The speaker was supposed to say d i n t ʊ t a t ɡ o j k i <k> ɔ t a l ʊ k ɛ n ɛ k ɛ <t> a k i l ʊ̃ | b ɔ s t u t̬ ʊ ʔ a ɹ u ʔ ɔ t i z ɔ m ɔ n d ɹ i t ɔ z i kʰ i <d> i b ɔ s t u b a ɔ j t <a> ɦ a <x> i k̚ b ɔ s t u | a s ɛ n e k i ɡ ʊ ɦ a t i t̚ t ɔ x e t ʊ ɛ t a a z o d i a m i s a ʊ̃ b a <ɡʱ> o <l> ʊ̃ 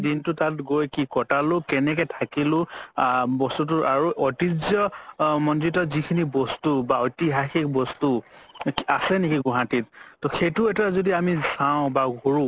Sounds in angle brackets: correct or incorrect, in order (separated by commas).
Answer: correct, incorrect, incorrect, incorrect, correct, correct, incorrect